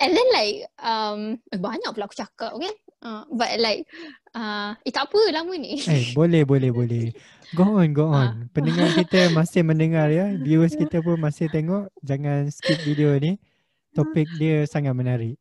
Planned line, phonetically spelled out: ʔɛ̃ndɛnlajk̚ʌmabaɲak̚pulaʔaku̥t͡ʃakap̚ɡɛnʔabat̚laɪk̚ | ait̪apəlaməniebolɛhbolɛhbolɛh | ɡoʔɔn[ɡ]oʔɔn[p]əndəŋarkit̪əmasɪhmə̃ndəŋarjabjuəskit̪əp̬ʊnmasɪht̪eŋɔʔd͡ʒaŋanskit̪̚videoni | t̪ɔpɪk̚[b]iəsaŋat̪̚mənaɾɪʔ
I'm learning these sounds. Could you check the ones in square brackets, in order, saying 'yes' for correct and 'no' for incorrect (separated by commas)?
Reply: yes, yes, no